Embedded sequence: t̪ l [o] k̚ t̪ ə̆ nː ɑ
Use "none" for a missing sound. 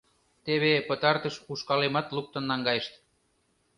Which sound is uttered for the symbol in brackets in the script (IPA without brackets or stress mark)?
u